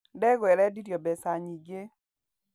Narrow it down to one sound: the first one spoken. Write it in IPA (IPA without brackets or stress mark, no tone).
d